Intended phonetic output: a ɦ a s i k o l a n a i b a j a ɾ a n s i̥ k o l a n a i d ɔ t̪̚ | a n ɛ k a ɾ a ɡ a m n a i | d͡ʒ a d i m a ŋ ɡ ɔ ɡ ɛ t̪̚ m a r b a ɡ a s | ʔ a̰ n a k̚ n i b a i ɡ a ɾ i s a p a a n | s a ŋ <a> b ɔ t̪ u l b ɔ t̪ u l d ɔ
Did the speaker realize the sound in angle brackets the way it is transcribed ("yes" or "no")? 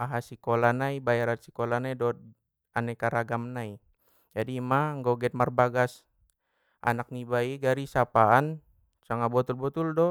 yes